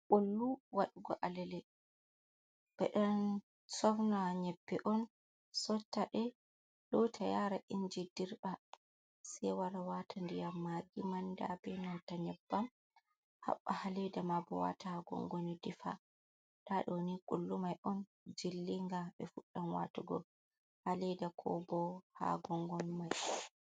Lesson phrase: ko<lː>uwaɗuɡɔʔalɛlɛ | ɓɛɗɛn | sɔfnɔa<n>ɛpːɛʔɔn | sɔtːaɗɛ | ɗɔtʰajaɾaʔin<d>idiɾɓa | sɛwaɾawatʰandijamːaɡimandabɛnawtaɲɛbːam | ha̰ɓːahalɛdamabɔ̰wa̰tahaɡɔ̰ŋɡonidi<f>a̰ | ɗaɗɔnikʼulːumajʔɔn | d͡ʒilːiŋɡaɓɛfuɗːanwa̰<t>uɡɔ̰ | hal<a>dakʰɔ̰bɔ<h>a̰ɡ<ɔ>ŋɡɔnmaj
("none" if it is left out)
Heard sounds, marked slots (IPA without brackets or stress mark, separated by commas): lː, ɲ, d͡ʒ, f, t, ɛ, h, ɔ